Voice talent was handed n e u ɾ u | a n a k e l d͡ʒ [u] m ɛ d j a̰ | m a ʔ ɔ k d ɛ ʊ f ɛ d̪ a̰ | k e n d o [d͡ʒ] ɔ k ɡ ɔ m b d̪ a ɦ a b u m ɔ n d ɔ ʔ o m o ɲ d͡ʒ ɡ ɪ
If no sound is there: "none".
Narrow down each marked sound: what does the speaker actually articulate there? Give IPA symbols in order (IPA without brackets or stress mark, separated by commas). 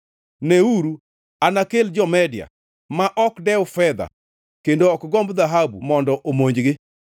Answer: ɔ, none